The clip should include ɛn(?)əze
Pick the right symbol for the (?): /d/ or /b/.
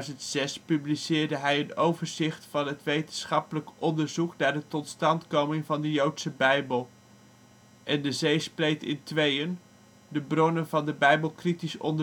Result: d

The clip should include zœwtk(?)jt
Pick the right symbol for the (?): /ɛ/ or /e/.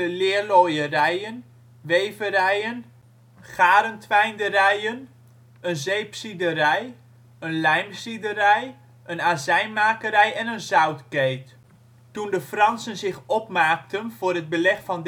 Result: e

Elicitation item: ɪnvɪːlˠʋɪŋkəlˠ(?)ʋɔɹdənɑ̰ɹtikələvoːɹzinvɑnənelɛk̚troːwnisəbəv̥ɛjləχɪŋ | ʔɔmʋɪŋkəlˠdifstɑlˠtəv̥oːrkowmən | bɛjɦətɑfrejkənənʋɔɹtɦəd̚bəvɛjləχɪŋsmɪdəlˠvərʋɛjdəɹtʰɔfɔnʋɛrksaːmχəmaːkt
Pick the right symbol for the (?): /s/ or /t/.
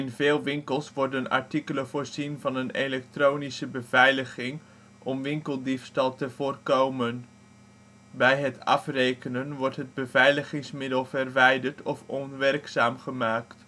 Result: s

